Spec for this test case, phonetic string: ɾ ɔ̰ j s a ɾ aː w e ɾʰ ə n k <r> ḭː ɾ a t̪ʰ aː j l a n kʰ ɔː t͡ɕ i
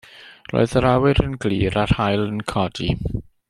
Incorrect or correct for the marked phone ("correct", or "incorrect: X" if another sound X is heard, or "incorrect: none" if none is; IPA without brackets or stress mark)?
incorrect: l